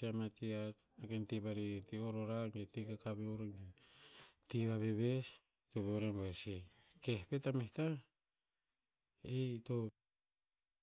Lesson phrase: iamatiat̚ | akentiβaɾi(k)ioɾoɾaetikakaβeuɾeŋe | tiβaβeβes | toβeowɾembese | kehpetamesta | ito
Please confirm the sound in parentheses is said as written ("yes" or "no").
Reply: no